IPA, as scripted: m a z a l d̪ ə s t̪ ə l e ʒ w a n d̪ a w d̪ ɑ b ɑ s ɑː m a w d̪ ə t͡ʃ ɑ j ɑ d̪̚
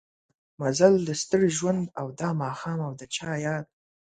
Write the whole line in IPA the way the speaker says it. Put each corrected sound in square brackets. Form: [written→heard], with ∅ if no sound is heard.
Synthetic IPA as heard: m a z a l d̪ ə s t̪ ə [l→ɽ] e ʒ w a n d̪ a w d̪ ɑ [b→m] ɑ [s→x] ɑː m a w d̪ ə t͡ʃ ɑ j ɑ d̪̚